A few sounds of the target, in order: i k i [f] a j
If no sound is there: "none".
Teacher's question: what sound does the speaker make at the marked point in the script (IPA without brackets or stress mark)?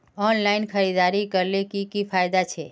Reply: f